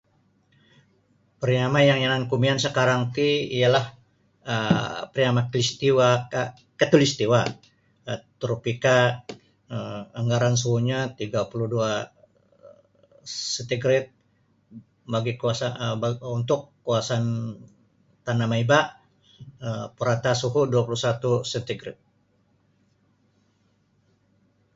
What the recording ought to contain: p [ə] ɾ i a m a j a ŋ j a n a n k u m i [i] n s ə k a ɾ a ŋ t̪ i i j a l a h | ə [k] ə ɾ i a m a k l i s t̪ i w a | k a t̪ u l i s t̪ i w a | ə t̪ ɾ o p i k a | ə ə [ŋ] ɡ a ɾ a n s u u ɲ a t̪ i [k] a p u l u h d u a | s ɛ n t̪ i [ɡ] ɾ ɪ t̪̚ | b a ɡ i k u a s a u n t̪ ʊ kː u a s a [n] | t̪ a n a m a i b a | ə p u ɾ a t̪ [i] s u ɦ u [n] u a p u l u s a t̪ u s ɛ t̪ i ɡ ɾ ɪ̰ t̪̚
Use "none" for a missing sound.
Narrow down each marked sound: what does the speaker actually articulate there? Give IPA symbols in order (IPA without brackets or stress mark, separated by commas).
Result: ə, a, p, ŋ, ɡ, ɡ, n, a, d